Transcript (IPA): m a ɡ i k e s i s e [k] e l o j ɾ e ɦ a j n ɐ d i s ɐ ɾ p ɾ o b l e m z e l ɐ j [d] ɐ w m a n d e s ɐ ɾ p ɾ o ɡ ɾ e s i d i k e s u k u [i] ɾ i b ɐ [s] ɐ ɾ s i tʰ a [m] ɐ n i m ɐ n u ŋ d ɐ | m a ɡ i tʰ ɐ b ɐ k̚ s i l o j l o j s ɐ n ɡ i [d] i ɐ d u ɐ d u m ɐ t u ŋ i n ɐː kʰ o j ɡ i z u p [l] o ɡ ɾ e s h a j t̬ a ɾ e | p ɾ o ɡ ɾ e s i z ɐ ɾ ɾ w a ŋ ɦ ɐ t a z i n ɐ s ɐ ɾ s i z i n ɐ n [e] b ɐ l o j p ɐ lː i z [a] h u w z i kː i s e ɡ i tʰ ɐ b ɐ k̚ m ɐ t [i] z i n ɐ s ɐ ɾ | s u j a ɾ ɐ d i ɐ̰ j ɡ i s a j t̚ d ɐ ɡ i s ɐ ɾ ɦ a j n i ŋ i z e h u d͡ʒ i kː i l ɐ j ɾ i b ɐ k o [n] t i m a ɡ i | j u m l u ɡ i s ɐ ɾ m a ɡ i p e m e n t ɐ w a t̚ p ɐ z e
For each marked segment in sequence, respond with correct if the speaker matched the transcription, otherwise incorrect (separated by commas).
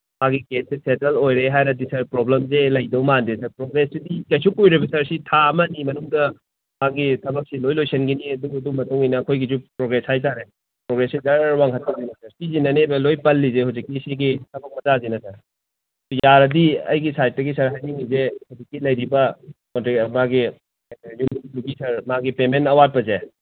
incorrect, correct, incorrect, correct, correct, incorrect, incorrect, correct, incorrect, incorrect, correct